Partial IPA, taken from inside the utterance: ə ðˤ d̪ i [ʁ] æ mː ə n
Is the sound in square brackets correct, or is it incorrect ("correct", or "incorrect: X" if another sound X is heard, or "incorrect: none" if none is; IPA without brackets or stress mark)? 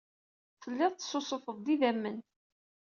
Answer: incorrect: ð